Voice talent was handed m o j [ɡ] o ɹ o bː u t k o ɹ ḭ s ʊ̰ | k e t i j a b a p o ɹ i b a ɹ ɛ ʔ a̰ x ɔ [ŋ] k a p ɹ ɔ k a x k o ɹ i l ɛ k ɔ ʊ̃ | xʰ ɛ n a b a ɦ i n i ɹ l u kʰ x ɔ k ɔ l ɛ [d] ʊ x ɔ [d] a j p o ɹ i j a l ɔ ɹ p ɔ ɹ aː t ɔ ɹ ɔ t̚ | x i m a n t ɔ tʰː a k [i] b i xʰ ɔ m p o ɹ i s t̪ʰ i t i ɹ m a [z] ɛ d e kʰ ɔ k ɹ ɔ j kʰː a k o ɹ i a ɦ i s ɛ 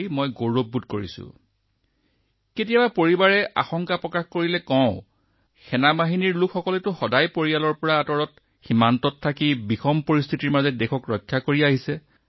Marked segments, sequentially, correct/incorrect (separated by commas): correct, correct, incorrect, correct, correct, correct